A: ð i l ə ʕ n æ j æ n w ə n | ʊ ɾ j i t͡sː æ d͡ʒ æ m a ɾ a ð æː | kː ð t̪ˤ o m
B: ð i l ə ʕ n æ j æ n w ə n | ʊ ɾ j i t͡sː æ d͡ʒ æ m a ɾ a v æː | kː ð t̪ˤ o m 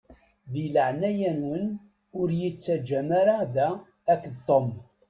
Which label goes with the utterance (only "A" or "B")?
A